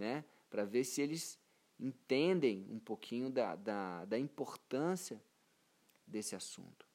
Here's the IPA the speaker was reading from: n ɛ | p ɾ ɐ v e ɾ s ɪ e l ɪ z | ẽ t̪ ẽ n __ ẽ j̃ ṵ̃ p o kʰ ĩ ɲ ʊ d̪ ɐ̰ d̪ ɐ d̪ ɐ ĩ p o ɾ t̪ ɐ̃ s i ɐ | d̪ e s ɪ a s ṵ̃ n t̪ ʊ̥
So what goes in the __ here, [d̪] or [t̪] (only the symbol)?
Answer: d̪